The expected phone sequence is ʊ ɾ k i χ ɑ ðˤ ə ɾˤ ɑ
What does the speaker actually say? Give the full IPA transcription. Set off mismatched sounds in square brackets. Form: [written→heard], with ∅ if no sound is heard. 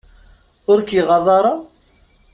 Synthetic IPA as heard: ʊ ɾ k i [χ→ʁ] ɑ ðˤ [ə→ɑ] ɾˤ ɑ

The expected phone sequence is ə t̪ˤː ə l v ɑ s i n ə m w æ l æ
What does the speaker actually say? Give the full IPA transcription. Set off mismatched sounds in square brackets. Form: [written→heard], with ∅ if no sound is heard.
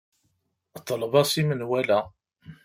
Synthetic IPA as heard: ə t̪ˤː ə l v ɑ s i [n→m] ə [m→n] w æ l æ

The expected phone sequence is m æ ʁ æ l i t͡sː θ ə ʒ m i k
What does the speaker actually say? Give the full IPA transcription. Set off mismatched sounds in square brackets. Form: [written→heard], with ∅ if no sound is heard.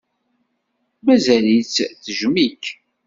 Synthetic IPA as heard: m æ [ʁ→z] æ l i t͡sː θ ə ʒ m i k

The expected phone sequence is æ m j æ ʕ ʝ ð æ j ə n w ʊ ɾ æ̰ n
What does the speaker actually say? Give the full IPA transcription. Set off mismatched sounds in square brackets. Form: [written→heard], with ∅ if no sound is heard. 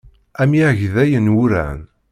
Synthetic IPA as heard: æ m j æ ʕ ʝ ð æ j ə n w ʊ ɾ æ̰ n

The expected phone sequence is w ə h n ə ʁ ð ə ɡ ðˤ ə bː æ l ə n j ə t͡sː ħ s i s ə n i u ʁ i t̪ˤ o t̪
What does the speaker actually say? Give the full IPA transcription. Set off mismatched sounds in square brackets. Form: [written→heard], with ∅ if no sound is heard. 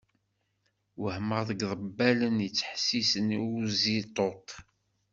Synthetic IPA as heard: w ə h [n→m] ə ʁ ð ə ɡ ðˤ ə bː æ l ə n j ə t͡sː ħ s i s ə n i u [ʁ→z] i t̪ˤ o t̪

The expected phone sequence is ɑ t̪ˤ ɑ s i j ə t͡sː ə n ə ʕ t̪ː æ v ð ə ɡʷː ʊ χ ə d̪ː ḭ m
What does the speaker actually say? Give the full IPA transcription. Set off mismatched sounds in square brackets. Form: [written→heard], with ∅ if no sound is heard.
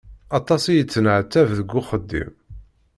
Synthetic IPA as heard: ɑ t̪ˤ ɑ s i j ə t͡sː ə n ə ʕ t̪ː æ v ð ə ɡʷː ʊ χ ə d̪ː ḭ m

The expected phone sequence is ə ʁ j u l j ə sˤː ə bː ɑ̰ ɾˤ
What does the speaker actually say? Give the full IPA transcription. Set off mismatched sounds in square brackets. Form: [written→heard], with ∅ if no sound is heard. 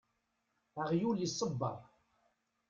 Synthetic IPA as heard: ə ʁ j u l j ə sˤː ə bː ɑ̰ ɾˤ

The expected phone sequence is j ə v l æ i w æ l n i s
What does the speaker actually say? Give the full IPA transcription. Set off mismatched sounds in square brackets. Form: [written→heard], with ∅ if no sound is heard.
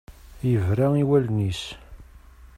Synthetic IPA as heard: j ə v [l→ɾ] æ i w æ l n i s

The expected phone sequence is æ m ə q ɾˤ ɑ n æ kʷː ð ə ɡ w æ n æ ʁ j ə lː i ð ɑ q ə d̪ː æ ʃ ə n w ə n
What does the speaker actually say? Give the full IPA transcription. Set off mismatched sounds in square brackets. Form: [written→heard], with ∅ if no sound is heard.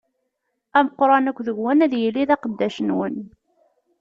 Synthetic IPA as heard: æ m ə q ɾˤ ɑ n æ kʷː ð ə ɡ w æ n æ [ʁ→ð] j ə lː i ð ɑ q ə d̪ː æ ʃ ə n w ə n

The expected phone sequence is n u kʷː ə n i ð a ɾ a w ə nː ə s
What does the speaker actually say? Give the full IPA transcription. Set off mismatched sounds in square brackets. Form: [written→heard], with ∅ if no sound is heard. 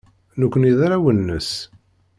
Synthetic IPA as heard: n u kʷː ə n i ð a ɾ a w ə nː ə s

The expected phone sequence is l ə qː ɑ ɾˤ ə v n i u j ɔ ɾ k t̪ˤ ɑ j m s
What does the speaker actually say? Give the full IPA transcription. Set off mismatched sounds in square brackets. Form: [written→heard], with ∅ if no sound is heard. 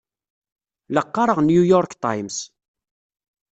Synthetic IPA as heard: l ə qː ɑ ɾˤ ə [v→ʁ] n [i→j] u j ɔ ɾ k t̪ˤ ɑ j m s

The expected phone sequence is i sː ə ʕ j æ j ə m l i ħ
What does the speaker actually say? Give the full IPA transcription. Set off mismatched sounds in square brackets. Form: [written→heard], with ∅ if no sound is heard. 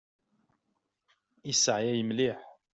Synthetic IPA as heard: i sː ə ʕ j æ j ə m l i ħ

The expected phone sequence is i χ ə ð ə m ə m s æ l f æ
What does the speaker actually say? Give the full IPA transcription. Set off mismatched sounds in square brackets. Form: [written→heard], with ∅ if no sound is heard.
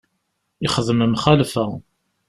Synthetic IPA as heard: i χ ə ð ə m ə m [s→χ] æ l f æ

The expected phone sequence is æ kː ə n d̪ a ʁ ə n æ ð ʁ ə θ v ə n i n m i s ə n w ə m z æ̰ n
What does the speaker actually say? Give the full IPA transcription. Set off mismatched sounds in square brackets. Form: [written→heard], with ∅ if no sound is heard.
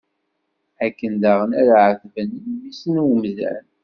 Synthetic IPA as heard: æ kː ə n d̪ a ʁ ə n æ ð [ʁ→ʕ] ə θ v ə n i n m i s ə n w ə m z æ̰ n

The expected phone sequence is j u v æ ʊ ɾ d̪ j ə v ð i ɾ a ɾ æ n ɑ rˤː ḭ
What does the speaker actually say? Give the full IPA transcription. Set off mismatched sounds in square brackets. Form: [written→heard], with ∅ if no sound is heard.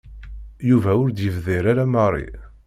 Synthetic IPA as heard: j u v æ ʊ ɾ d̪ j ə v ð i ɾ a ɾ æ [n→m] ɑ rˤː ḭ

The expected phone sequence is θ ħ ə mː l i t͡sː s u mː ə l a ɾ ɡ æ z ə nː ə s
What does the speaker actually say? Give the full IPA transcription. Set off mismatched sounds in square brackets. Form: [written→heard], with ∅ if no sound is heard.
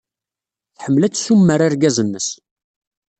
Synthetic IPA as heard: θ ħ ə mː l [i→æ] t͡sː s u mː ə [l→ɾ] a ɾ ɡ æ z ə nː ə s

